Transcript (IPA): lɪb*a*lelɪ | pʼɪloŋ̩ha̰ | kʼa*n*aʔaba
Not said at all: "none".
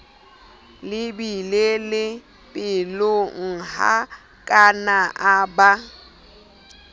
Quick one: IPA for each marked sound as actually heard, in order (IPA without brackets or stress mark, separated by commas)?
i, n